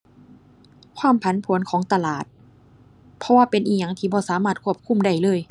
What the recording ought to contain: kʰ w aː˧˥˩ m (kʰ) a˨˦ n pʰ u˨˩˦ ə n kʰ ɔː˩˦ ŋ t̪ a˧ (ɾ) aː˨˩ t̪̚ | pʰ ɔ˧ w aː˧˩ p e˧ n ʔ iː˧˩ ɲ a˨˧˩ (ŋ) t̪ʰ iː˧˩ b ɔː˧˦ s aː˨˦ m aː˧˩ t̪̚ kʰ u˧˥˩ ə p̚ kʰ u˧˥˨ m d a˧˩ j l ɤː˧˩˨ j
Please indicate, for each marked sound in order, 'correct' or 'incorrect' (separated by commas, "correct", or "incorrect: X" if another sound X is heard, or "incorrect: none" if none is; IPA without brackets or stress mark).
incorrect: pʰ, incorrect: l, correct